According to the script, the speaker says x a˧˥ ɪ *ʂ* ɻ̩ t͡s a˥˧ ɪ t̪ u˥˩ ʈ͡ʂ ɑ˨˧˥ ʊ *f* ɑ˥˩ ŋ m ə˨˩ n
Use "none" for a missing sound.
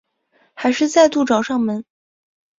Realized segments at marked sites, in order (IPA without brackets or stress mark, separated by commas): ʂ, ʂ